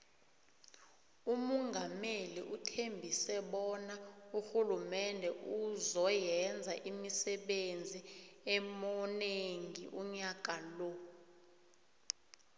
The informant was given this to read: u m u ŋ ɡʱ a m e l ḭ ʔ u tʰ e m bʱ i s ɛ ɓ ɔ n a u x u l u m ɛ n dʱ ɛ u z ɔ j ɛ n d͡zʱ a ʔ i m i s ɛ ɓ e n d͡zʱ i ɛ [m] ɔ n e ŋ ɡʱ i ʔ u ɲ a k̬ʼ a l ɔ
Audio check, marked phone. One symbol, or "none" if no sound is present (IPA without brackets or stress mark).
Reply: m